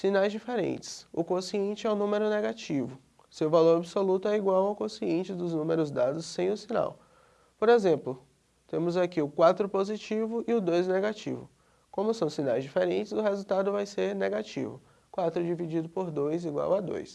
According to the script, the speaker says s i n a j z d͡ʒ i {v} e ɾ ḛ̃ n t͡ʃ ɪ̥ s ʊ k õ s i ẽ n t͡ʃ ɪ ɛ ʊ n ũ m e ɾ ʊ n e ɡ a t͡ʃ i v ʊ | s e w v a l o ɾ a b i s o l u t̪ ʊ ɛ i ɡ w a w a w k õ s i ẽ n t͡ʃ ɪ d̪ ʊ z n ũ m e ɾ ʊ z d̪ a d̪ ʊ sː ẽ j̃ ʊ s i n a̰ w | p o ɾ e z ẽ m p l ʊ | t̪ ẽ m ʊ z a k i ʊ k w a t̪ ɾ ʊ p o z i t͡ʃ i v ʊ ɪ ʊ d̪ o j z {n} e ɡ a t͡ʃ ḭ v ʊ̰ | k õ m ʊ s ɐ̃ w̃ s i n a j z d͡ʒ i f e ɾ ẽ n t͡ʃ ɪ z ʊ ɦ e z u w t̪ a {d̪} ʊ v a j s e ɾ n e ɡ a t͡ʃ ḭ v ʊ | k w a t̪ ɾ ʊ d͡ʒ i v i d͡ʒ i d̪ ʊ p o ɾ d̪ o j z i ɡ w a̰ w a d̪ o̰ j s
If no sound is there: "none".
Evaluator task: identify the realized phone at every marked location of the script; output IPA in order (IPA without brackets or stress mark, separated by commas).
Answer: f, n, d̪